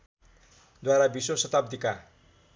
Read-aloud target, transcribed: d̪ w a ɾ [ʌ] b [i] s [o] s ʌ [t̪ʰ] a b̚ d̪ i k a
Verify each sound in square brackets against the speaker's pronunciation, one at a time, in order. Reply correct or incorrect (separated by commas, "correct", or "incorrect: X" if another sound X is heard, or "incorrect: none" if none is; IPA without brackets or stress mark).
incorrect: a, correct, correct, incorrect: t̪